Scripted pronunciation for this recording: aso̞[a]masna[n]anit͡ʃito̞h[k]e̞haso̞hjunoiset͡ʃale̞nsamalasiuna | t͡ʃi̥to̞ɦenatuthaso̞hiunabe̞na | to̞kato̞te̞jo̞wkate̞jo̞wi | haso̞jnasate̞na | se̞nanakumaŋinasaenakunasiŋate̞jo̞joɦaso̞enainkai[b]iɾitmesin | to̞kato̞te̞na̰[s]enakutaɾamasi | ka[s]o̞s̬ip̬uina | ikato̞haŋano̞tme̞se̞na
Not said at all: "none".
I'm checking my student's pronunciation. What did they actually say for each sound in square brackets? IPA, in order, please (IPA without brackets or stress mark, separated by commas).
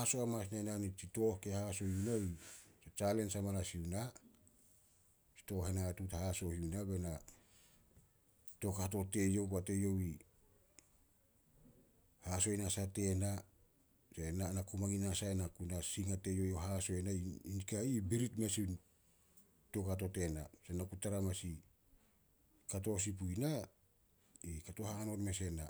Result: a, n, k, b, s, t